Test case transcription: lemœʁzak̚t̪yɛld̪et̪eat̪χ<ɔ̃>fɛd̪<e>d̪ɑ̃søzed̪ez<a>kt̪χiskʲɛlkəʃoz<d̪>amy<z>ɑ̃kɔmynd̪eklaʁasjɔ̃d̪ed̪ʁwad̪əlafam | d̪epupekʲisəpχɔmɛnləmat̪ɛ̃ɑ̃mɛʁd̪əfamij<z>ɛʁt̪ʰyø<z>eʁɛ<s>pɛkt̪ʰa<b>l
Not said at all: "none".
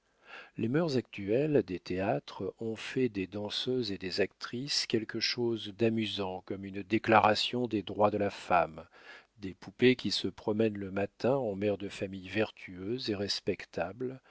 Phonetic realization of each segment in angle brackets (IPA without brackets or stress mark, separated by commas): ɔ̃, e, a, d̪, z, v, z, s, b